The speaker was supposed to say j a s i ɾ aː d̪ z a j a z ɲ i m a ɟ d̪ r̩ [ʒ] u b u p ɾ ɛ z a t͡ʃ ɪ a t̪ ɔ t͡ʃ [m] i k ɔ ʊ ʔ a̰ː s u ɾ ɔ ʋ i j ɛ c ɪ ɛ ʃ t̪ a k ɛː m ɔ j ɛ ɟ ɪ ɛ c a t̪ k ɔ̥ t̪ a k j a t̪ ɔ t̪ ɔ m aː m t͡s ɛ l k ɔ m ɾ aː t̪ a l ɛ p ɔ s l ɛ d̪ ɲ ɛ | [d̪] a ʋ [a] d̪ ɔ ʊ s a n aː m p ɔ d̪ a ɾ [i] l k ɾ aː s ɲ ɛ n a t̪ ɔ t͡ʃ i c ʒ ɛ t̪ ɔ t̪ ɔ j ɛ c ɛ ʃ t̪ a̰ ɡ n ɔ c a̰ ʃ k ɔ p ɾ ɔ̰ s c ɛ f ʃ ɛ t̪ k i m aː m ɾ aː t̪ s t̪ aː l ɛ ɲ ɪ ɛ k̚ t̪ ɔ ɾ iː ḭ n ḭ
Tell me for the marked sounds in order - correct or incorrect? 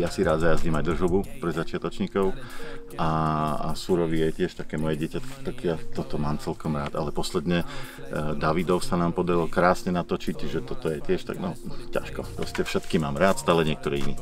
correct, incorrect, correct, incorrect, correct

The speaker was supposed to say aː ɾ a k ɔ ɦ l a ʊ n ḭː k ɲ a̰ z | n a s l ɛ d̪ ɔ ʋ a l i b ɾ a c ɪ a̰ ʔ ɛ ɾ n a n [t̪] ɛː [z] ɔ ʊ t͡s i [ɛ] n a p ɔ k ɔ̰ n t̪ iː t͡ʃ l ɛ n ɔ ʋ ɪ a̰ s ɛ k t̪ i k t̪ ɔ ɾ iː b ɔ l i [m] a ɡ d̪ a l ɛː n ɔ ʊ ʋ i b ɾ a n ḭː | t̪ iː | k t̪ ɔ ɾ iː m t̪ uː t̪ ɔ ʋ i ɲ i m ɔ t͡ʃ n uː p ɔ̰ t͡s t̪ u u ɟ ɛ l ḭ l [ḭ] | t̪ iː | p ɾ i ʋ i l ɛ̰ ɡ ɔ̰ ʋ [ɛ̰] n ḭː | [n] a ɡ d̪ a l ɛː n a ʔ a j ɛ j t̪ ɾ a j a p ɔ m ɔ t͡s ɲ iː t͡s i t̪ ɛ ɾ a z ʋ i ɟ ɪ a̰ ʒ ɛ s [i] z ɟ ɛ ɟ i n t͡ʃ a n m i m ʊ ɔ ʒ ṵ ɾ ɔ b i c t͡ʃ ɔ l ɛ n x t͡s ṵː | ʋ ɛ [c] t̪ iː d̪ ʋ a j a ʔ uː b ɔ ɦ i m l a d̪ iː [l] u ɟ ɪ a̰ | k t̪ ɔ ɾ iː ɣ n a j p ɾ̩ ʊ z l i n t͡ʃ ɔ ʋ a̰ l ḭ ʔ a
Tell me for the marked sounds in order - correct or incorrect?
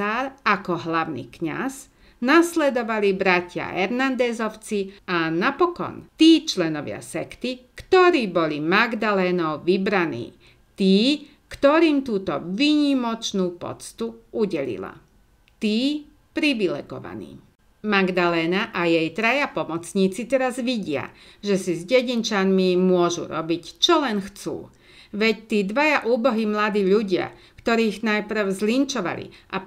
incorrect, correct, incorrect, correct, incorrect, incorrect, incorrect, correct, correct, incorrect

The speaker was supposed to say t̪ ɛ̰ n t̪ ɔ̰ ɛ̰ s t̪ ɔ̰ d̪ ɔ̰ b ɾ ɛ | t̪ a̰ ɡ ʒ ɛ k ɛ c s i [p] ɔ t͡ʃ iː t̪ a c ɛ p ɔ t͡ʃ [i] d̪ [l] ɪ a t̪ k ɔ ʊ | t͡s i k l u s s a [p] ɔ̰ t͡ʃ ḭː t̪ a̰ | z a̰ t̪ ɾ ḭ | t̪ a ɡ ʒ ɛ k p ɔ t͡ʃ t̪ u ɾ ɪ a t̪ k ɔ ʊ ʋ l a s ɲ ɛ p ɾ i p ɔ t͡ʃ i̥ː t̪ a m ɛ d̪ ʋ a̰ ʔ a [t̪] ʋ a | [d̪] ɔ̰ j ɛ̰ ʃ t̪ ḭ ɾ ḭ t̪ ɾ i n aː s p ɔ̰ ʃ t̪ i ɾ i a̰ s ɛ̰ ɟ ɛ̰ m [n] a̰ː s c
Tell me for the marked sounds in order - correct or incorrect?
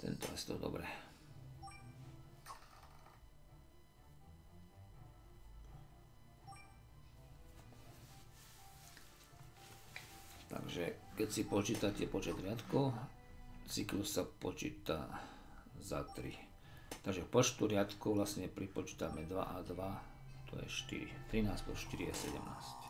correct, incorrect, incorrect, correct, incorrect, incorrect, correct

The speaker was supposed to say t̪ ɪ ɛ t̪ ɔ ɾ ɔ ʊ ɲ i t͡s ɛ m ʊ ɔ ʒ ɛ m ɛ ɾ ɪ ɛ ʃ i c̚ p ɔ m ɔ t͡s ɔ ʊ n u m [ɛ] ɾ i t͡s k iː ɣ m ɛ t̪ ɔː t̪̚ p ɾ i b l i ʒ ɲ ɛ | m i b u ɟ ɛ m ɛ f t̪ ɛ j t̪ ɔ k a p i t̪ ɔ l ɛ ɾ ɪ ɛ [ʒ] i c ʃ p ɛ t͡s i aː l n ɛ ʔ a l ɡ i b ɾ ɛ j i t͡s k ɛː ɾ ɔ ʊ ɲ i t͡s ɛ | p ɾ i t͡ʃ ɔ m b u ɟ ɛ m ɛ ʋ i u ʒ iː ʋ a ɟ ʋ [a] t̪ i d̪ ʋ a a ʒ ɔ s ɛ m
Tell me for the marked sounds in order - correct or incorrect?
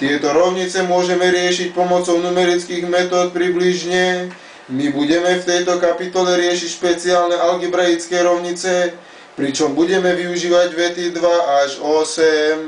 correct, incorrect, incorrect

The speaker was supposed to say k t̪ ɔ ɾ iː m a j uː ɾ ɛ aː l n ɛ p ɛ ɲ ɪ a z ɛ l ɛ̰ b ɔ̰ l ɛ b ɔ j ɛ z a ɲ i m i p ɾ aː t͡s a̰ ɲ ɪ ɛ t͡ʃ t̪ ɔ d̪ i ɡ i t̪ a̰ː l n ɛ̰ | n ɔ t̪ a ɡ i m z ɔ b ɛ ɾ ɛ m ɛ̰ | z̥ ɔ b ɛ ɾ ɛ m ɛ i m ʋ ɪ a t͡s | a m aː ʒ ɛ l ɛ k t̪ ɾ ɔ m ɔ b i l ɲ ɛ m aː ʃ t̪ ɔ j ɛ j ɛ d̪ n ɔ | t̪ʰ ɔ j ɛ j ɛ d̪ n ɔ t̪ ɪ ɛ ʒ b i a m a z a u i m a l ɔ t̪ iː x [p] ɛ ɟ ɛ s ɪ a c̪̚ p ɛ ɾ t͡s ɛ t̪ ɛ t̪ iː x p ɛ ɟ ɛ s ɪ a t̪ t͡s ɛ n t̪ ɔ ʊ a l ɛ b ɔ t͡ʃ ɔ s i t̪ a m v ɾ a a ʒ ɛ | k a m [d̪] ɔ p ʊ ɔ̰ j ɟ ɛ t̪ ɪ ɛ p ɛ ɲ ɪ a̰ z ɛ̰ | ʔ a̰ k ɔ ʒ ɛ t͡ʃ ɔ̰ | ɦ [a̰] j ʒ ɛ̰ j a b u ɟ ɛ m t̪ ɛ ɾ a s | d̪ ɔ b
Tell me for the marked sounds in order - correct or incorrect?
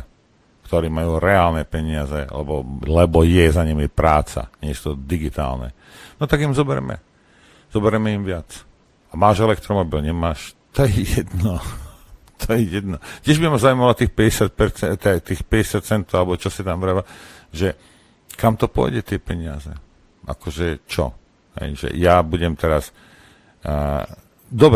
correct, incorrect, incorrect

